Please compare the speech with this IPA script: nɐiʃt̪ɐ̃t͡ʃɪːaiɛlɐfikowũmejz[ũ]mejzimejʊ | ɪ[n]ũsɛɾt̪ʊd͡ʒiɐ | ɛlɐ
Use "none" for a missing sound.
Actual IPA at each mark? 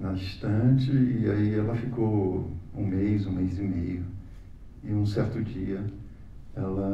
ũ, none

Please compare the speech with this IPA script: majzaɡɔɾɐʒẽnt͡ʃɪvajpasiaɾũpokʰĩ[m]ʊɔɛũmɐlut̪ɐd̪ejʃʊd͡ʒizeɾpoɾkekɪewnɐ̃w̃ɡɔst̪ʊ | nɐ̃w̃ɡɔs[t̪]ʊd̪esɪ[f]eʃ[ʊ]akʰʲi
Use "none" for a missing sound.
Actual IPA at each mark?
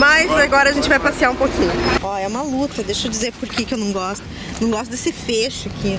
ɲ, t̪, f, ʊ

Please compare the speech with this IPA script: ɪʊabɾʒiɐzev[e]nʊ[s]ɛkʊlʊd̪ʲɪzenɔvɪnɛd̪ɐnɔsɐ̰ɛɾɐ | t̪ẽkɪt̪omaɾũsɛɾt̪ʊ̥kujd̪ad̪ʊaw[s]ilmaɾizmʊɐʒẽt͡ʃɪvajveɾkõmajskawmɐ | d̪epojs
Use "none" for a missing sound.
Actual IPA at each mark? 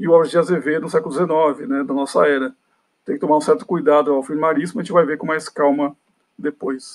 e, s, f

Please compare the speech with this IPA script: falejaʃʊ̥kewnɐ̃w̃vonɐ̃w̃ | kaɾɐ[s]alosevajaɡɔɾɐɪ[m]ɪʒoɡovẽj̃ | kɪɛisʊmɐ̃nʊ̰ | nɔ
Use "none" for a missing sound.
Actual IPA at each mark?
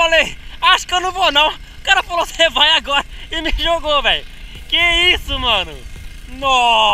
f, m

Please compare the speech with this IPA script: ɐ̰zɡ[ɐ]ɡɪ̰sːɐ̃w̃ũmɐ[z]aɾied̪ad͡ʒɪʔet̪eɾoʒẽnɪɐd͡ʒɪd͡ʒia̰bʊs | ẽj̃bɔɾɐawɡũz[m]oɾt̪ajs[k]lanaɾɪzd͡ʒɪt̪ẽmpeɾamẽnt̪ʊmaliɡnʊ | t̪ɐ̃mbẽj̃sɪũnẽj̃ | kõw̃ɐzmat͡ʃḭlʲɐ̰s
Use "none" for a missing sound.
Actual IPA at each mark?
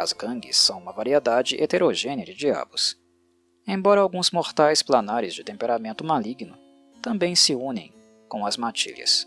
ɐ̃, v, m, p

